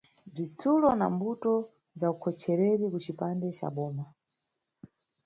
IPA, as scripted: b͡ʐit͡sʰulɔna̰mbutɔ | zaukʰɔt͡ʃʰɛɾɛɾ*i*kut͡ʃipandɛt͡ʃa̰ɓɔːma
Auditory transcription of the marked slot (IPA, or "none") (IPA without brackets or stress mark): i